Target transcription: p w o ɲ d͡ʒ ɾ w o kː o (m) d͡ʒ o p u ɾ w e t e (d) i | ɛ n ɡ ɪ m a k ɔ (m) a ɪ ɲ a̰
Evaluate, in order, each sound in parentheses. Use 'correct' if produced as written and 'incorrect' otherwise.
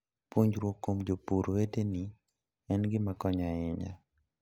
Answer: correct, incorrect: n, incorrect: ɲ

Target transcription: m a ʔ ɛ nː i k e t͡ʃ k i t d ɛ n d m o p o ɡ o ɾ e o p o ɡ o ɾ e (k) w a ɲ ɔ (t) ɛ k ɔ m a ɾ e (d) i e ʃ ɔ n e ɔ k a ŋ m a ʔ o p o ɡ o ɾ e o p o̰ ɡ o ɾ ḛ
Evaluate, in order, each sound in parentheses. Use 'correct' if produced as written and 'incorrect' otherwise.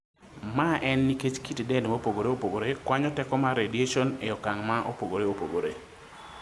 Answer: correct, correct, correct

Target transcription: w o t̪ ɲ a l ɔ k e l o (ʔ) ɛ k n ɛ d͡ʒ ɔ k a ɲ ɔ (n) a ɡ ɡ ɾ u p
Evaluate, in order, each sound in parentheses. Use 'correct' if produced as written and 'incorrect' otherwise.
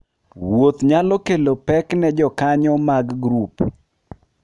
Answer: incorrect: p, incorrect: m

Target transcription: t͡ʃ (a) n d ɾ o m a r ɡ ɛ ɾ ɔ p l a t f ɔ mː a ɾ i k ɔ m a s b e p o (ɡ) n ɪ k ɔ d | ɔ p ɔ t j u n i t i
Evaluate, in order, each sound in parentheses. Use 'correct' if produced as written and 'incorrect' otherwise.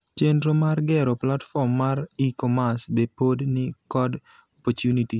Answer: incorrect: e, incorrect: d

